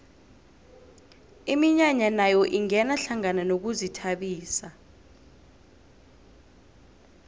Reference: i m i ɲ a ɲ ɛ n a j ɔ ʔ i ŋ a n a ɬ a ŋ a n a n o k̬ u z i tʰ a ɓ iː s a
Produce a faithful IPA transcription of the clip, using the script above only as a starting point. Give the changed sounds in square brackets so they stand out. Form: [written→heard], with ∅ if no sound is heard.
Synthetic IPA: i m i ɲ a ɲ [ɛ→a] n a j ɔ ʔ i ŋ [a→ɛ] n a ɬ a ŋ a n a n o k̬ u z i tʰ a ɓ iː s a